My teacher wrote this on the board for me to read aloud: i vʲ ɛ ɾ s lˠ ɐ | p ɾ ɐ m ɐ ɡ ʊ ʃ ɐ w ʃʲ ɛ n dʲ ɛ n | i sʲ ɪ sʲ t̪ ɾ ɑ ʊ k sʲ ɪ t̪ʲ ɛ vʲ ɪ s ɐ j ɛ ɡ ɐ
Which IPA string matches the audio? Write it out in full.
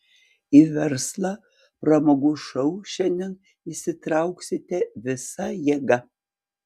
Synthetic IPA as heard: i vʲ ɛ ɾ s lˠ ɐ | p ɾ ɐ m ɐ ɡ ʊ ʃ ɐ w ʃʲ ɛ n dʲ ɛ n | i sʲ ɪ t̪ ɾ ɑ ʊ k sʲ ɪ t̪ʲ ɛ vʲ ɪ s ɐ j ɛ ɡ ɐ